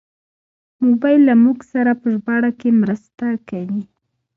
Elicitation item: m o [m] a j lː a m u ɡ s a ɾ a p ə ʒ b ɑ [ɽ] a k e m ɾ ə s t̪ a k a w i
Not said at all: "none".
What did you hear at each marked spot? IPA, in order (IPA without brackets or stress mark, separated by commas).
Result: b, ɽ